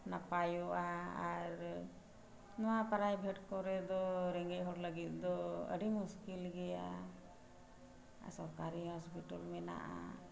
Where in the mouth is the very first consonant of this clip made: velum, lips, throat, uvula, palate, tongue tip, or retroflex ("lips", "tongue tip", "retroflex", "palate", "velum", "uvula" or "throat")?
tongue tip